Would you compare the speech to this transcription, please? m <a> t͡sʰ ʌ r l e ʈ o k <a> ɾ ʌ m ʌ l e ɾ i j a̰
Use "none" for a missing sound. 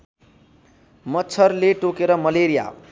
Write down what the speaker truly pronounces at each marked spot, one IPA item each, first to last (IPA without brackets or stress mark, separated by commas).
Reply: ʌ, e